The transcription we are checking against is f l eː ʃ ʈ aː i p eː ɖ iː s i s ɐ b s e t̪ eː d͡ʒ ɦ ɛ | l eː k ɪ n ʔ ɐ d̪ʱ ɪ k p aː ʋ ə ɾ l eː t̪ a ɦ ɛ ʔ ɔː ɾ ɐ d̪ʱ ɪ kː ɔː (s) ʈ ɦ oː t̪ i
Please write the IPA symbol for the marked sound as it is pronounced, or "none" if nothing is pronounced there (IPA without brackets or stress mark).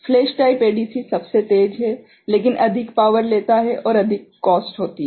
s